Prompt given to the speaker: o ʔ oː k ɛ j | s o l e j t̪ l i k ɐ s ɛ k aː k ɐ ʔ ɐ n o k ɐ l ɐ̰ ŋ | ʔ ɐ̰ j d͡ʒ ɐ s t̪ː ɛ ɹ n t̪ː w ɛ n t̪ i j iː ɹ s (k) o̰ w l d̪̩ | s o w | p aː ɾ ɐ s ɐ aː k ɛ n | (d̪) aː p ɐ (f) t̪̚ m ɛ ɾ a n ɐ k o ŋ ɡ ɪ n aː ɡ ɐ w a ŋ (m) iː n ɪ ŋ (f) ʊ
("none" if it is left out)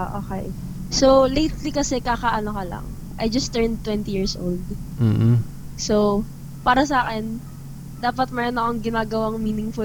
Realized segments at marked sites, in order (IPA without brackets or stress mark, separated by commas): ʔ, d̪, none, m, f